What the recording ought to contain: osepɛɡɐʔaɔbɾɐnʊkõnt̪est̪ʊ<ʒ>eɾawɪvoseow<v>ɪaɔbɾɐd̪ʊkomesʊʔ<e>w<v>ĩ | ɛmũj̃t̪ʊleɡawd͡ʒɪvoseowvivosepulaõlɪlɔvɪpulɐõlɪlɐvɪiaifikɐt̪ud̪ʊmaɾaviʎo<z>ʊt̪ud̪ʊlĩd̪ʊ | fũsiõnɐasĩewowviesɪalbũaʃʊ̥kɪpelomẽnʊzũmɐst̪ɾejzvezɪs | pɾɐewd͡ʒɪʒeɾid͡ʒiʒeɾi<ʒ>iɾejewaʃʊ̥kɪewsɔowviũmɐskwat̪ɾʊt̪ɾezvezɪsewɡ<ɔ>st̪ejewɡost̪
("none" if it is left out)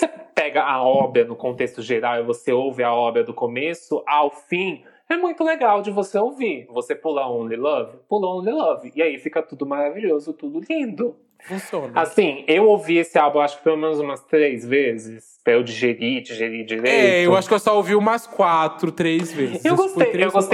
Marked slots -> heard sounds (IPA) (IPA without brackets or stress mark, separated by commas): ʒ, v, a, f, z, d͡ʒ, o